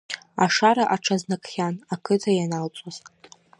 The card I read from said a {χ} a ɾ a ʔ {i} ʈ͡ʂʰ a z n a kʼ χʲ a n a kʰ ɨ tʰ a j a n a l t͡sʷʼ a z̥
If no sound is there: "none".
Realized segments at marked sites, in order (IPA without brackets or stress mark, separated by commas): ʂ, a